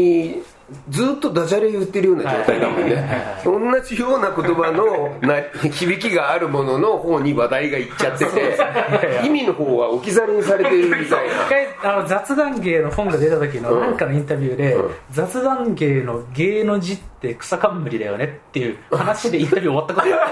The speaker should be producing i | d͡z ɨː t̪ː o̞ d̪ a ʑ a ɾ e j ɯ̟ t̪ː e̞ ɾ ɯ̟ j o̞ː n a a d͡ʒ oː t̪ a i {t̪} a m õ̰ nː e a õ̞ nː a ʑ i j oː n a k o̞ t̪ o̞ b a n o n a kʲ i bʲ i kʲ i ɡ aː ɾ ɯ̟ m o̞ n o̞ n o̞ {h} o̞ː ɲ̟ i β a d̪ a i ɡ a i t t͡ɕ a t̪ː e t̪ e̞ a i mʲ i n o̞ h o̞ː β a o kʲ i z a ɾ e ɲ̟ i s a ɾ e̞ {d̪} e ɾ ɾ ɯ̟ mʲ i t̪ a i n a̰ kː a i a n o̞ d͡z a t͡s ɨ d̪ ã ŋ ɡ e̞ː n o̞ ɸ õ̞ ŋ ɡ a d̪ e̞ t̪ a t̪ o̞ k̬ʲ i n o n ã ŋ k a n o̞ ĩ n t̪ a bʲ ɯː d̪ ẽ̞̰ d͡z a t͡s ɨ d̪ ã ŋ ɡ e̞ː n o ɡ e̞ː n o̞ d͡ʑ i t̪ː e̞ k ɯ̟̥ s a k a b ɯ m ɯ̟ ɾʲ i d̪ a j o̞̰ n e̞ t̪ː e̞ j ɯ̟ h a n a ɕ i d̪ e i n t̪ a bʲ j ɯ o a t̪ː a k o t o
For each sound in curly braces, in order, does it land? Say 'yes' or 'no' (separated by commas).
no, yes, no